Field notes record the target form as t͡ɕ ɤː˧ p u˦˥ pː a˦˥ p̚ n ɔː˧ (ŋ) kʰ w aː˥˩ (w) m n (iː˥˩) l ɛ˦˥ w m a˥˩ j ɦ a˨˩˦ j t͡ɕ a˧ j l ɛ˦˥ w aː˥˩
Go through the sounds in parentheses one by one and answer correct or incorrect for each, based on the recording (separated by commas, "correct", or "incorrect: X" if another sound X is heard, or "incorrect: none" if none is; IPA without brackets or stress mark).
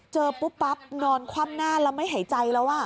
incorrect: n, incorrect: none, incorrect: aː˥˩